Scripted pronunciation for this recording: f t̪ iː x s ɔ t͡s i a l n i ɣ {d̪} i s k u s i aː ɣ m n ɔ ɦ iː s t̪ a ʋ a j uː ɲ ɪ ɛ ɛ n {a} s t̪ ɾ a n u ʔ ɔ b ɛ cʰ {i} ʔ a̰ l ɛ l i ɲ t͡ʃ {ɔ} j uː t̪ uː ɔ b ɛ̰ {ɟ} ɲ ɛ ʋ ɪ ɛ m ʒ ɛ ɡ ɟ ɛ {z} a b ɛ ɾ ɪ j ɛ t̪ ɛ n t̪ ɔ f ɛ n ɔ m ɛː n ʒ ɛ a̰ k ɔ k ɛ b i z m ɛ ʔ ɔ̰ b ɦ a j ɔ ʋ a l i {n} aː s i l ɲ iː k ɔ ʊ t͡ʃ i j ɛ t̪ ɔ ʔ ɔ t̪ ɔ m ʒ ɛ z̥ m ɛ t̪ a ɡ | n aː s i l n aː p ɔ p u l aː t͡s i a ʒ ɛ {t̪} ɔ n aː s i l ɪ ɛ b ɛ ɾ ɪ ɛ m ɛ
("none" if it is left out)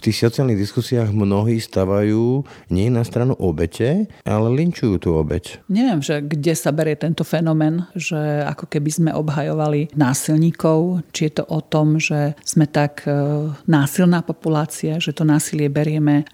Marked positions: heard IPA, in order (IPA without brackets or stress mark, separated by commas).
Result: d̪, a, ɛ, u, c, s, n, t̪